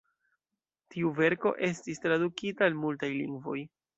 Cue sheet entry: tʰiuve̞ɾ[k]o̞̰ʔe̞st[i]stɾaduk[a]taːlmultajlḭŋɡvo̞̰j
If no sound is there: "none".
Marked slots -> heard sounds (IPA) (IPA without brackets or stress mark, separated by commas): k, i, i